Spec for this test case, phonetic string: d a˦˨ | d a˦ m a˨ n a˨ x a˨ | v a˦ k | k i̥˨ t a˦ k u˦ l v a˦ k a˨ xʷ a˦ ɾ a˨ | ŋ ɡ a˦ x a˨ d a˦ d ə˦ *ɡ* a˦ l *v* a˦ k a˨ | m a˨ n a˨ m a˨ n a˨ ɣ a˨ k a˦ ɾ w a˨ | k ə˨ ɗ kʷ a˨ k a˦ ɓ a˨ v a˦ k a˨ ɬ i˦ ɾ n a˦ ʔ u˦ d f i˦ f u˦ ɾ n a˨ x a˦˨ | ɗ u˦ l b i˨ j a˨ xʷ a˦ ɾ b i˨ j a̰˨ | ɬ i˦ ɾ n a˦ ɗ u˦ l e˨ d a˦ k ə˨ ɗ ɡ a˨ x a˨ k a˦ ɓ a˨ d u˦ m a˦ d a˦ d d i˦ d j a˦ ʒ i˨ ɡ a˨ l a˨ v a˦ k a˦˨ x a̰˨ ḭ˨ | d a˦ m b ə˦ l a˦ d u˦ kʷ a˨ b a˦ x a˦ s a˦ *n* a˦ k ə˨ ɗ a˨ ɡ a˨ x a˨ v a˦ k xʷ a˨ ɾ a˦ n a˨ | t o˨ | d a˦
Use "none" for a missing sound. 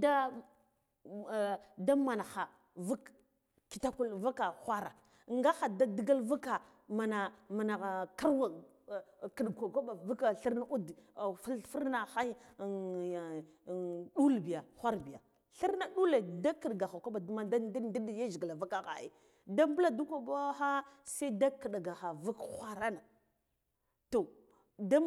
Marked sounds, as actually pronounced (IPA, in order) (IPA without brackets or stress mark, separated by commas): ɡ, v, d